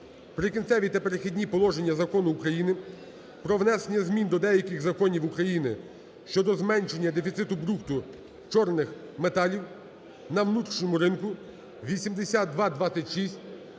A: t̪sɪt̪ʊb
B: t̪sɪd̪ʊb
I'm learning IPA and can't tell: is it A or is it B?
A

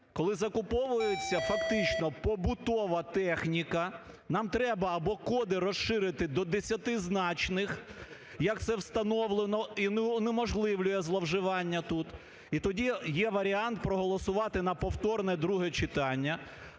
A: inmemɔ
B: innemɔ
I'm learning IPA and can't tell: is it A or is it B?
B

